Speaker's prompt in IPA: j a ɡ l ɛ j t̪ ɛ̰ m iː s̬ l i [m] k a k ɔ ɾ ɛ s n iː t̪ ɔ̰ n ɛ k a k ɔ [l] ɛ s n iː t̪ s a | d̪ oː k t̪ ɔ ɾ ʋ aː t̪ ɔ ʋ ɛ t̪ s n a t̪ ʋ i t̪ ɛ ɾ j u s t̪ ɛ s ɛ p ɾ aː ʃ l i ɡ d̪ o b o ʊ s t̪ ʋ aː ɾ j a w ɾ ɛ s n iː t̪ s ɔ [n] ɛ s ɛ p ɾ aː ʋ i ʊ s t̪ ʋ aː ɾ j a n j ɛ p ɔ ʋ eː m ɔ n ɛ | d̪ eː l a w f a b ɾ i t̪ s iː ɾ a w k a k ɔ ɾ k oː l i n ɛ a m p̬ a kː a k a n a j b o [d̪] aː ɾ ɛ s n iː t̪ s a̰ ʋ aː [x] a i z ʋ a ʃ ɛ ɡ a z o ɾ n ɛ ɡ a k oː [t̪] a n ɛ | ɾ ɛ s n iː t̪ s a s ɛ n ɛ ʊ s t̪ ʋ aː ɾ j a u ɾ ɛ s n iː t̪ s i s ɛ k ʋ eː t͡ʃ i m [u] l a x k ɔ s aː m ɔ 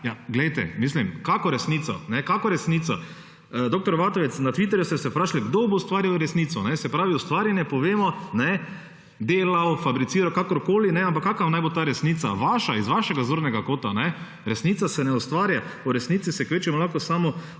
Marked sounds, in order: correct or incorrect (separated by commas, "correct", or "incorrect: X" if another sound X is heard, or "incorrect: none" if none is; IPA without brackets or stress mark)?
correct, incorrect: ɾ, correct, incorrect: t̪, incorrect: ʃ, correct, incorrect: ɔ